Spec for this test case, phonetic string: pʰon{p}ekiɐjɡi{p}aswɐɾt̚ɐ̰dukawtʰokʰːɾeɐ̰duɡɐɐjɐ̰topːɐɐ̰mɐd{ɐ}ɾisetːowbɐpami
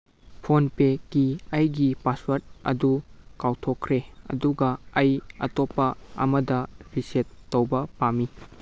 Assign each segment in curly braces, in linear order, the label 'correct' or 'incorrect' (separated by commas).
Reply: correct, correct, correct